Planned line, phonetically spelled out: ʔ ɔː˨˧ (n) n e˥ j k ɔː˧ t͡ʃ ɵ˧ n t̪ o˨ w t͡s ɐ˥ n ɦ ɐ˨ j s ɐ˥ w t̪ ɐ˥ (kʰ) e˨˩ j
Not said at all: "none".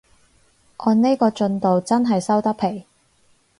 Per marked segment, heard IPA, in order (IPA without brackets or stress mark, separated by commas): n, pʰ